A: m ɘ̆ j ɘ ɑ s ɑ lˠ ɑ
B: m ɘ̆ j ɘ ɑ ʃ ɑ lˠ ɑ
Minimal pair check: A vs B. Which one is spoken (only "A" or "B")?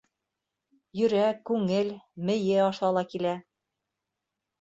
B